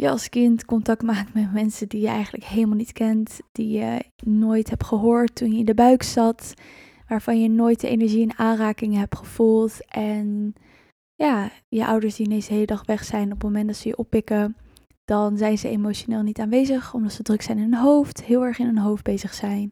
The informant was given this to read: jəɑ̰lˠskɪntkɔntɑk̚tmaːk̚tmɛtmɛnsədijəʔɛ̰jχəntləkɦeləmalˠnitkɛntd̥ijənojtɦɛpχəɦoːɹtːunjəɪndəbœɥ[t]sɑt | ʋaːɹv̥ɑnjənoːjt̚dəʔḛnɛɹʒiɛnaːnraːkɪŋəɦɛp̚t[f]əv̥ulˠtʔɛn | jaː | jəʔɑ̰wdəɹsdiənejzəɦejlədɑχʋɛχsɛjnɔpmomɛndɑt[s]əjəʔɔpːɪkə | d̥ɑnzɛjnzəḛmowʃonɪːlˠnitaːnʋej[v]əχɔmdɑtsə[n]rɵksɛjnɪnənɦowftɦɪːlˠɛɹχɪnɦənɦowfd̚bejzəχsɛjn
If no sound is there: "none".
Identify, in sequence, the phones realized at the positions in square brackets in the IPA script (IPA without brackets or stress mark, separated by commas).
k, χ, s, z, d